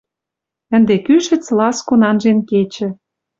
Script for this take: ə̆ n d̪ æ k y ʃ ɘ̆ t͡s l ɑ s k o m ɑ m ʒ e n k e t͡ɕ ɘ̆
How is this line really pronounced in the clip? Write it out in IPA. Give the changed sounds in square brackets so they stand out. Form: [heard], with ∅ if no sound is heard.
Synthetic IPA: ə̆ n d̪ [e] k y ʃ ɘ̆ t͡s l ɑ s k o [n] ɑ [n] ʒ e n k e t͡ɕ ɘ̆